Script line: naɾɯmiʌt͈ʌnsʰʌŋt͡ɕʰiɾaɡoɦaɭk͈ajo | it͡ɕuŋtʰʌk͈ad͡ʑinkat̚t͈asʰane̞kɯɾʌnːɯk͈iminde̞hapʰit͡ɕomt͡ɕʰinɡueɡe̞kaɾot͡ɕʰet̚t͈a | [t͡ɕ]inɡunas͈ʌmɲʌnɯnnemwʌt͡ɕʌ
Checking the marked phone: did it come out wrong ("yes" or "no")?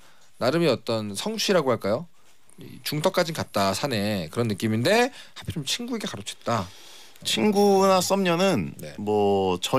yes